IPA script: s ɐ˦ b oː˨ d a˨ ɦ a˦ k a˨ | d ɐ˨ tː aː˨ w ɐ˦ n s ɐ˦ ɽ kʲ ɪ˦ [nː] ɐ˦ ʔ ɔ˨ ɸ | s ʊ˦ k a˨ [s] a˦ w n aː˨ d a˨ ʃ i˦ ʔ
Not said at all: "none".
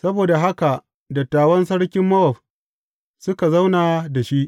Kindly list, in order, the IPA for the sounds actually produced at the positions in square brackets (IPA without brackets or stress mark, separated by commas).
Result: mː, z